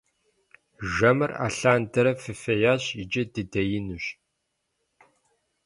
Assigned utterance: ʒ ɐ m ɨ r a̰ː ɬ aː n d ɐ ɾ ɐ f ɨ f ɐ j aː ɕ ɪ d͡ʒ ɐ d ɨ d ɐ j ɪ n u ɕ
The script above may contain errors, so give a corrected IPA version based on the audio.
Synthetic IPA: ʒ ɐ m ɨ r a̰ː ɬ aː n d ɐ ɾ ɐ f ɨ f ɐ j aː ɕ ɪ d͡ʒ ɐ d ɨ d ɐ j ɪ n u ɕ

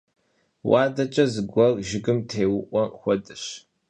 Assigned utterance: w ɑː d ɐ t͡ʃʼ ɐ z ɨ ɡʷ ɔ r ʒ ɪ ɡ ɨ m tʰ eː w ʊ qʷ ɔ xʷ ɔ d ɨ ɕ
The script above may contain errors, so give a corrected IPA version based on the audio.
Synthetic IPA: w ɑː d ɐ t͡ʃʼ ɐ z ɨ ɡʷ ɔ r ʒ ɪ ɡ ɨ m tʰ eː w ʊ ʔʷ ɔ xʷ ɔ d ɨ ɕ

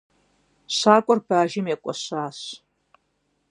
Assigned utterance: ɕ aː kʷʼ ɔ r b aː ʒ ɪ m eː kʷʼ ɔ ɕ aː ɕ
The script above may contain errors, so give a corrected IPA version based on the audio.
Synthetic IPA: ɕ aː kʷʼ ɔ r b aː ʒ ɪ m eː kʷʼ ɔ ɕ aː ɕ

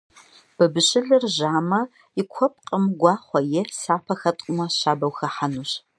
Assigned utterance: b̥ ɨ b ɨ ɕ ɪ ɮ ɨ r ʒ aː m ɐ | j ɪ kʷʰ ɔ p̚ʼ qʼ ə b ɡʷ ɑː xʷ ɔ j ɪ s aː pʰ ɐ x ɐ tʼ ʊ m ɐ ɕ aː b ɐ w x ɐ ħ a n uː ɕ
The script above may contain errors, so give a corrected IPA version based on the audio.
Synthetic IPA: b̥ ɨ b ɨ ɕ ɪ ɮ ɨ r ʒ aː m ɐ | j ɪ kʷʰ ɔ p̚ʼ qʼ ə m ɡʷ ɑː χʷ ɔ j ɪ s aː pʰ ɐ x ɐ tʼ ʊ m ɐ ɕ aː b ɐ w x ɐ ħ a n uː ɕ

